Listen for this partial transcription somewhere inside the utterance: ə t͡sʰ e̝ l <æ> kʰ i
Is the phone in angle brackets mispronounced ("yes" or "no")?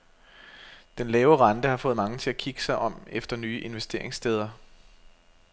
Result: no